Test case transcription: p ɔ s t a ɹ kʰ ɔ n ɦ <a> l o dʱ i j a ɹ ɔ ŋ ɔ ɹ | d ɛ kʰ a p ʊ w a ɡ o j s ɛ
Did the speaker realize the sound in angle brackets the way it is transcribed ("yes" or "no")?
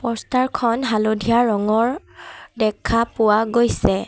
yes